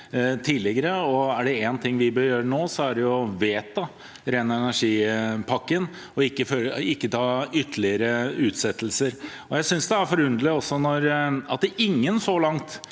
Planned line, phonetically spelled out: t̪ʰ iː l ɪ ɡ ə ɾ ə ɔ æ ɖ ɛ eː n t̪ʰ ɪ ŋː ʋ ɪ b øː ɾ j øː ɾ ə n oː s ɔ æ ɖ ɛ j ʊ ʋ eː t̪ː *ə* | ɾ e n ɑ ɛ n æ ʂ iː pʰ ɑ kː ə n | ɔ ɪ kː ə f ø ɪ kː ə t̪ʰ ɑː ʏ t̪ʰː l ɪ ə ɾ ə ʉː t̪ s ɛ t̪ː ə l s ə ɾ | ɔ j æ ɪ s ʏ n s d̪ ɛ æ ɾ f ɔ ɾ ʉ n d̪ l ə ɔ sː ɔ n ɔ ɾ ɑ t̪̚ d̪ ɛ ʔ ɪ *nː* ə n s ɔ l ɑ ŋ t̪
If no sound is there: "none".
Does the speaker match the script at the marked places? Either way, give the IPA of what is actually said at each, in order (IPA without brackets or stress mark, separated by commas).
ɑ, ŋː